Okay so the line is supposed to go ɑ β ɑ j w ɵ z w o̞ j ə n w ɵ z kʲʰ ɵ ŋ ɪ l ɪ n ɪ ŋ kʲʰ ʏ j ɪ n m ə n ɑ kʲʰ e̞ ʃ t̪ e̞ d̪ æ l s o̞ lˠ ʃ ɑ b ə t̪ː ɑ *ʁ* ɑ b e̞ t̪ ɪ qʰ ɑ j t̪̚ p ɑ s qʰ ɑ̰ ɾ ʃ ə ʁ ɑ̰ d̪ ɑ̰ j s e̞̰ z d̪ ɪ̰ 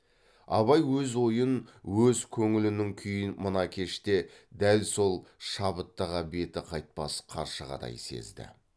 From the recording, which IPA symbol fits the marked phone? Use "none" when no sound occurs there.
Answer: ʁ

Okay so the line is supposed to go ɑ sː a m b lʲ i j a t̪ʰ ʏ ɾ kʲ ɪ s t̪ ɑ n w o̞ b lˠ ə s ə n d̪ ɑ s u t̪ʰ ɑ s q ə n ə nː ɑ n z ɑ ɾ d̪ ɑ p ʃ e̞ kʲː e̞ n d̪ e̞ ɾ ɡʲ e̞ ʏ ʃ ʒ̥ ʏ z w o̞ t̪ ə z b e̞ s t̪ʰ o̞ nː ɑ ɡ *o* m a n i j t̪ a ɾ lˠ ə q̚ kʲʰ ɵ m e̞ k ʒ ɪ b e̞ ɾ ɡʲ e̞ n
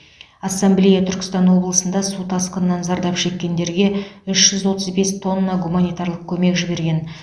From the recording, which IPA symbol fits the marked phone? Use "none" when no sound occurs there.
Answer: u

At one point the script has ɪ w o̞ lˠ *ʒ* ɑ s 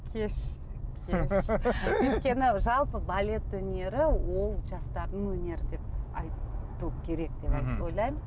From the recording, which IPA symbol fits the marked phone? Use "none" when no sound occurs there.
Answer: ʒ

